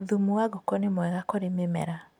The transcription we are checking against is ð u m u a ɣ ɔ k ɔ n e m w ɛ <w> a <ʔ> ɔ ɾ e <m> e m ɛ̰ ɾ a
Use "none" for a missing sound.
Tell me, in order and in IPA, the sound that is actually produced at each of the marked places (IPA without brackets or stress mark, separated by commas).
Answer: ɣ, k, m